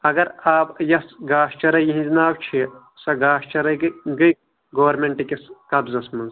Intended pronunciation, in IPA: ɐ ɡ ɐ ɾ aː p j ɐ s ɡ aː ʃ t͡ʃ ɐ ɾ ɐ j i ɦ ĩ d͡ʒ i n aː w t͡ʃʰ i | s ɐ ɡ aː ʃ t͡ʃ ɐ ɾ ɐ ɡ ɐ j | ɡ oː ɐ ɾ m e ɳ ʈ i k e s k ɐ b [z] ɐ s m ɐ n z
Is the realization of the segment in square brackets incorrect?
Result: no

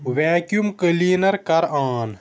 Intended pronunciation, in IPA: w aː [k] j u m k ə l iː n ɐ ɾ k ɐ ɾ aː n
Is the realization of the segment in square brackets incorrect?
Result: no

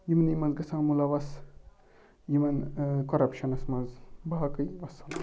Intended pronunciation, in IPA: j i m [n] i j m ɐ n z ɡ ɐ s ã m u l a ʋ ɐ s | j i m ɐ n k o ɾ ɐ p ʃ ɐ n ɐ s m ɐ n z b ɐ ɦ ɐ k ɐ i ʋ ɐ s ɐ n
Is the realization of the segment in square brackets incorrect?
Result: no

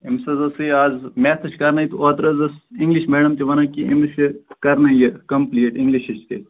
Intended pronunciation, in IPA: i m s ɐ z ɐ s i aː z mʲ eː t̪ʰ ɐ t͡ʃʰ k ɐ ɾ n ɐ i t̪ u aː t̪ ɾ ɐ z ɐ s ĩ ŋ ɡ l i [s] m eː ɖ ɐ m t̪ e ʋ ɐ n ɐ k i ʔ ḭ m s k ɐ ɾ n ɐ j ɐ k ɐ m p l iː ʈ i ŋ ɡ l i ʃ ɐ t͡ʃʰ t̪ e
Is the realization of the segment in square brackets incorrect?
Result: yes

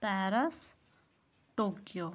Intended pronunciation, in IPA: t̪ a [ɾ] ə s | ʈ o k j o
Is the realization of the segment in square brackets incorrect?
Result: no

